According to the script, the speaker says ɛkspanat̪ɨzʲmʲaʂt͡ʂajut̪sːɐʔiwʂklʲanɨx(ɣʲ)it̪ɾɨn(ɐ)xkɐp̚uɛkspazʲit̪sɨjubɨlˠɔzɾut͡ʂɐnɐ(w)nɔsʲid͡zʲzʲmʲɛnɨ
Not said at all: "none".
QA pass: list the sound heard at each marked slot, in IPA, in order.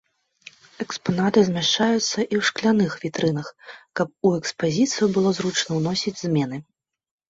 vʲ, ɐ, w

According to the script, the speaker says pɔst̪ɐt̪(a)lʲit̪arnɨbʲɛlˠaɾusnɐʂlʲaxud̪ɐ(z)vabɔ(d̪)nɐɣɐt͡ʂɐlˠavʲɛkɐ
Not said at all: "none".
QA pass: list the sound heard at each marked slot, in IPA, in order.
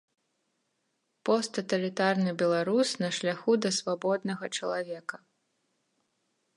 ɐ, s, d̪

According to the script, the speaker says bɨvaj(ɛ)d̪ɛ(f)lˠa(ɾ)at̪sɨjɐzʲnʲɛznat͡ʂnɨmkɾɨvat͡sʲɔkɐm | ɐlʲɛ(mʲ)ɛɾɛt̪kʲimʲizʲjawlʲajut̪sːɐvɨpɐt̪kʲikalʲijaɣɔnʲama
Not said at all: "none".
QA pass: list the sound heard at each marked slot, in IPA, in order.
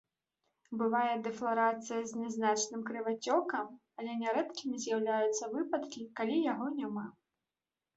ɛ, f, ɾ, nʲ

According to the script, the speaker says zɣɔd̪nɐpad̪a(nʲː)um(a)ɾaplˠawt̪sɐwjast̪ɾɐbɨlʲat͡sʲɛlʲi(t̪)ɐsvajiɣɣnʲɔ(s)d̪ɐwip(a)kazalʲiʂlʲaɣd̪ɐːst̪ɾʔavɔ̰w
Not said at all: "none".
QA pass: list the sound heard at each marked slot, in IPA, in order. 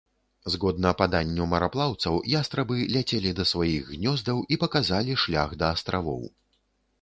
nʲː, ɐ, d̪, z, ɐ

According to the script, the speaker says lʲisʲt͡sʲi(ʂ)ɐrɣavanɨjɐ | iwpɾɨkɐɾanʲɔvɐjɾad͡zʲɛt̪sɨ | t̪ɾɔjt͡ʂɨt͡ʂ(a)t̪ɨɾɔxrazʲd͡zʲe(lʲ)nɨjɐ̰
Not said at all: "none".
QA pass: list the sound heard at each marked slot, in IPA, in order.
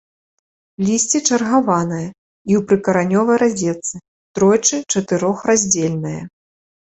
t͡ʂ, ɐ, lʲ

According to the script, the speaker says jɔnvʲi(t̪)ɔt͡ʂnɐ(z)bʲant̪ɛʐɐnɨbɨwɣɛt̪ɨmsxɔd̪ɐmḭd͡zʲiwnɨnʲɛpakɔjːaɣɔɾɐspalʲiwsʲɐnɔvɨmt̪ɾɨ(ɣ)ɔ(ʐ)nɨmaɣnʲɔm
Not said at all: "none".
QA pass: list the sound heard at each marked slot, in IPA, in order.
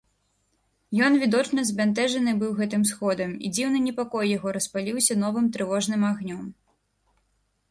d̪, z, v, ʐ

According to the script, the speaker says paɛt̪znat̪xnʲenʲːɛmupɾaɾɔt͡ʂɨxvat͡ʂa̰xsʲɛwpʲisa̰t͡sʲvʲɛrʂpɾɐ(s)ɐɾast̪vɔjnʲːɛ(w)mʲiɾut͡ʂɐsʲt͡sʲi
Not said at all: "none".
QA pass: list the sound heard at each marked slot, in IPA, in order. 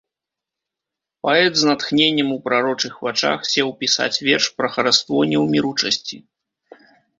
x, w

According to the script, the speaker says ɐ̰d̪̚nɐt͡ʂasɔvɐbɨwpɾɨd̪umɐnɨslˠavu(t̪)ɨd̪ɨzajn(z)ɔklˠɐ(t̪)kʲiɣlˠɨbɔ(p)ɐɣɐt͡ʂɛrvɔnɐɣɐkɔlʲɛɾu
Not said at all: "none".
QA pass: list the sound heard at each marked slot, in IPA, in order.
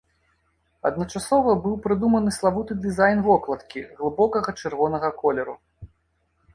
t̪, v, t̪, k

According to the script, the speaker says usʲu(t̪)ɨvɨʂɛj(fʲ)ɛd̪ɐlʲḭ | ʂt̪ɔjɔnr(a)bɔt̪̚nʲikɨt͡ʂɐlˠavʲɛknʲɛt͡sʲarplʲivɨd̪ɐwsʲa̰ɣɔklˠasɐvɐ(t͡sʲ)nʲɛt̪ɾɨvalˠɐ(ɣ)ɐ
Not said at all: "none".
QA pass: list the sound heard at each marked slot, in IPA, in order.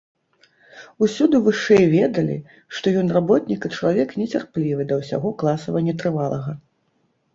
d̪, vʲ, a, none, ɣ

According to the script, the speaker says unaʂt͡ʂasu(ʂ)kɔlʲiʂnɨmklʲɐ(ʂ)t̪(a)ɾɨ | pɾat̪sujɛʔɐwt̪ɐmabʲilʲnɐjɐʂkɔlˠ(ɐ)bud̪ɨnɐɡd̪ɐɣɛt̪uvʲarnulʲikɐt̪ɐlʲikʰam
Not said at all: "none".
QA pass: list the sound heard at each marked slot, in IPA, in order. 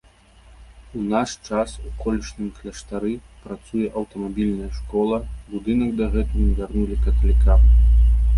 none, ʂ, a, ɐ

